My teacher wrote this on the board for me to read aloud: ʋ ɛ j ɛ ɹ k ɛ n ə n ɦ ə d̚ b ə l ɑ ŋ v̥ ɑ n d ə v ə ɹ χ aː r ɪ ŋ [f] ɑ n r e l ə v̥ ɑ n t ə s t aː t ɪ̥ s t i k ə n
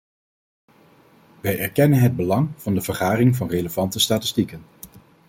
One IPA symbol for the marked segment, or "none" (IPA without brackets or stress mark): v